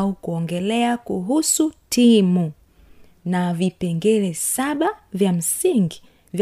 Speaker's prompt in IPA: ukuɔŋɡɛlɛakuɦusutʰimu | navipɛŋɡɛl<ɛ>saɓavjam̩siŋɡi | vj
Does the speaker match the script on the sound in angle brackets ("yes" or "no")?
yes